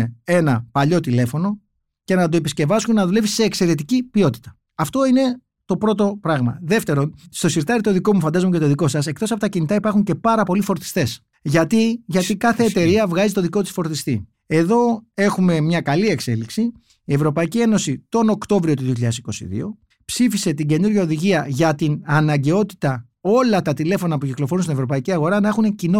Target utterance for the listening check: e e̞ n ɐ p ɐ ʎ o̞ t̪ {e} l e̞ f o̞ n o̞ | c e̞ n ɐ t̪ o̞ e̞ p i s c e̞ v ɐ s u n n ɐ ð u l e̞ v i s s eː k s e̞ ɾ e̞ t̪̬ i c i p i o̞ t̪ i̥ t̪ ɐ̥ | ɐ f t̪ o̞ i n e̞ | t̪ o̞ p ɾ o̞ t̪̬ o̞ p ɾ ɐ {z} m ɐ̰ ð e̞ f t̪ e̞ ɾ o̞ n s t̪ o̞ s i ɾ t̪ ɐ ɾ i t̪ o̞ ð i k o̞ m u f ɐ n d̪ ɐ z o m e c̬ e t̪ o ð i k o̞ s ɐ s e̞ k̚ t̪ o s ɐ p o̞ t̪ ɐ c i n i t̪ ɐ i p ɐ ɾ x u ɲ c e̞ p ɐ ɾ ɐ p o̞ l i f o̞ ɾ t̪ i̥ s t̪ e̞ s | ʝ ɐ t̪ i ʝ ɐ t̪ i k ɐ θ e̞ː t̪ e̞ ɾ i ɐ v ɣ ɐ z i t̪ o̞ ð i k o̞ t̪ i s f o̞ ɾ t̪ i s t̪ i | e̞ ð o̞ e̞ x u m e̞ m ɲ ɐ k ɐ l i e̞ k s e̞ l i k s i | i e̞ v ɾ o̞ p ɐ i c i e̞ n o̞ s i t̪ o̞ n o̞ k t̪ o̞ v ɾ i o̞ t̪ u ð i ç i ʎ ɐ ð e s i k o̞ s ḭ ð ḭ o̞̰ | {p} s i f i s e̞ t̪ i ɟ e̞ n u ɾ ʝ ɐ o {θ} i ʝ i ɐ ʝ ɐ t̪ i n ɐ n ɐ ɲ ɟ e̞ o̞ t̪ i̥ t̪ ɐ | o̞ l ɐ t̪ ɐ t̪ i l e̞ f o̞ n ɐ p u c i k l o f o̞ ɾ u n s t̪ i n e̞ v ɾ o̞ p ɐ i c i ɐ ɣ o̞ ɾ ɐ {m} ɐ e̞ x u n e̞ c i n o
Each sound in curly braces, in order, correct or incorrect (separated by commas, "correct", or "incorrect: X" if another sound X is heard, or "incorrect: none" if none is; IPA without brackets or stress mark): incorrect: i, incorrect: ɣ, correct, incorrect: ð, incorrect: n